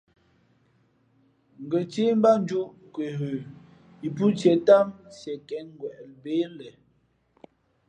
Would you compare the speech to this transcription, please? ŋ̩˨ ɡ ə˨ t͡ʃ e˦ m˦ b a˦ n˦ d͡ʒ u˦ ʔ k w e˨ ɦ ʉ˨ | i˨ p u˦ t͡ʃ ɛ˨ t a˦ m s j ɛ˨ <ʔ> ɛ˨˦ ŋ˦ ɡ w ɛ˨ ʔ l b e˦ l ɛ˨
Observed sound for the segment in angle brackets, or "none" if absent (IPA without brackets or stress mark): k